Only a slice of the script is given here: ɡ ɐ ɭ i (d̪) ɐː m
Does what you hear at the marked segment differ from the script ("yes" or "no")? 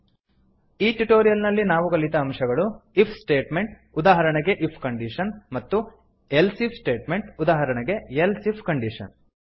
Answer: yes